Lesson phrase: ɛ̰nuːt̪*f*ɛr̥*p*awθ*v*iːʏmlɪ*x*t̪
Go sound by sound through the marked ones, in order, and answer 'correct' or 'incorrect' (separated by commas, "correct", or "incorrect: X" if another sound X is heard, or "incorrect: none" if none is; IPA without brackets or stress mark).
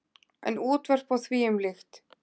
incorrect: v, correct, correct, correct